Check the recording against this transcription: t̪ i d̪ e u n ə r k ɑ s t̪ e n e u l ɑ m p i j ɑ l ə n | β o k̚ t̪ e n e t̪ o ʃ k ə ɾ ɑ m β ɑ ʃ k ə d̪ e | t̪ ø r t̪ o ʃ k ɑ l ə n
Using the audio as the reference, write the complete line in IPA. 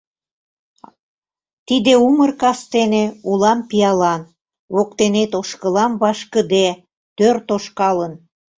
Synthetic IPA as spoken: t̪ i d̪ e u m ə r k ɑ s t̪ e n e u l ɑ m p i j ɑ l ɑ n | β o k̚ t̪ e n e t̪ o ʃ k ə l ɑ m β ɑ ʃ k ə d̪ e | t̪ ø r t̪ o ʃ k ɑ l ə n